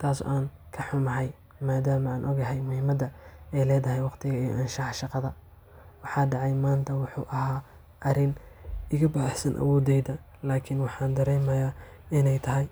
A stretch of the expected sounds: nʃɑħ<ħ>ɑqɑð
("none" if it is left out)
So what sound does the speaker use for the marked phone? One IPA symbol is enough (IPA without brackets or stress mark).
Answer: ʃ